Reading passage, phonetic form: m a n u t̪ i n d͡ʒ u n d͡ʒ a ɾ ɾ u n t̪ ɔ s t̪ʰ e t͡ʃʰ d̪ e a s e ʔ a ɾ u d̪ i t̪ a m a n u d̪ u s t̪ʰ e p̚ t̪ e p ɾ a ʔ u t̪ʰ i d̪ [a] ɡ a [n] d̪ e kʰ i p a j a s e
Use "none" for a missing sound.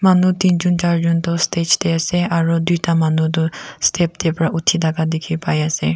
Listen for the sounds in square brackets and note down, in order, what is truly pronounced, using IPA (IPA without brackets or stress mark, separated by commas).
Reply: a, none